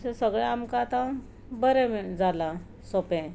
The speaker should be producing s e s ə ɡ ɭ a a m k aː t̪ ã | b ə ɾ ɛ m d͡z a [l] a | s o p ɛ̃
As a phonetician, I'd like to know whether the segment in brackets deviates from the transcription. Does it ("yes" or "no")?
no